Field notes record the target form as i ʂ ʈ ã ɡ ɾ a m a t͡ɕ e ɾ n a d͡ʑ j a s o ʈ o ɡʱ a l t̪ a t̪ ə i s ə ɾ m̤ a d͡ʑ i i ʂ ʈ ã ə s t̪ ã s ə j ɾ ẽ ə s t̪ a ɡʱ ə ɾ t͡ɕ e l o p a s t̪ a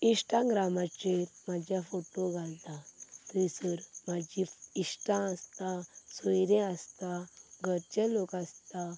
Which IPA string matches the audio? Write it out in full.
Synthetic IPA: i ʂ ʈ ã ɡ ɾ a m a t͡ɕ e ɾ m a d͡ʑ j a f o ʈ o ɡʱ a l t̪ a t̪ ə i s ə ɾ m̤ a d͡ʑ i i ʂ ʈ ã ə s t̪ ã s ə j ɾ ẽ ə s t̪ a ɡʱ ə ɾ t͡ɕ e l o k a s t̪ a